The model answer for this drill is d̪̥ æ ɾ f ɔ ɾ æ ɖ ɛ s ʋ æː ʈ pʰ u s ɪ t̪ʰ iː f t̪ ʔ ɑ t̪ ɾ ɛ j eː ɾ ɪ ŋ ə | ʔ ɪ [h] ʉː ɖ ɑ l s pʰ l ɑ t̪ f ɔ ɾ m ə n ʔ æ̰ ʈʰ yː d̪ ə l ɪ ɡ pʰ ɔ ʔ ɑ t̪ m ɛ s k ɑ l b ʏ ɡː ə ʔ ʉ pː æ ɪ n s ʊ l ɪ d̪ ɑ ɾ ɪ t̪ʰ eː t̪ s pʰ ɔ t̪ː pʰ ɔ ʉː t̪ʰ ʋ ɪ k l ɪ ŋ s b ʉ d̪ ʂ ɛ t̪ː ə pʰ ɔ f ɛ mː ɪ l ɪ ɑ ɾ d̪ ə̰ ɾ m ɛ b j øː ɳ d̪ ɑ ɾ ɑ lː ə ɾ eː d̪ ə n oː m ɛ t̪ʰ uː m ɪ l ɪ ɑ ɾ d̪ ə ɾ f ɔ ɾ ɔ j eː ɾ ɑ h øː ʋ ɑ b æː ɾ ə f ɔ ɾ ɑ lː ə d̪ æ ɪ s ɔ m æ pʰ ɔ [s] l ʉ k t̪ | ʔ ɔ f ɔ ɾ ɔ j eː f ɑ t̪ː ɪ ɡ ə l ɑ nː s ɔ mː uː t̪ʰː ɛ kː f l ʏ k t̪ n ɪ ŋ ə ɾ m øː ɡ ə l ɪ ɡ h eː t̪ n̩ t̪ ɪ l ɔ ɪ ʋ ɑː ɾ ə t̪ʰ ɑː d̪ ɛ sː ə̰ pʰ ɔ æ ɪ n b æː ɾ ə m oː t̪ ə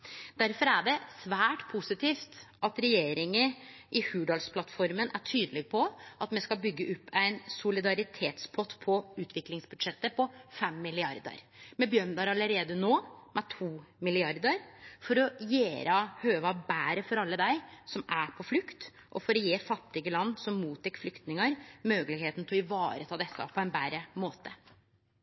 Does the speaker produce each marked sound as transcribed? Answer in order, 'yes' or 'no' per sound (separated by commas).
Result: yes, no